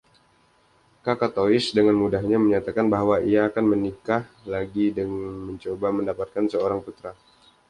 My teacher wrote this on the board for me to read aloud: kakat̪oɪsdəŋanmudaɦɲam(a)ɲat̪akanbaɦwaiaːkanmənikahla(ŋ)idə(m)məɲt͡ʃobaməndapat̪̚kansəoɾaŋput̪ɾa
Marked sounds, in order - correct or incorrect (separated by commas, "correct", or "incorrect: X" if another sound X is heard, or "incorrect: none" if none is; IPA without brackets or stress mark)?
incorrect: ə, incorrect: ɡ, incorrect: ŋ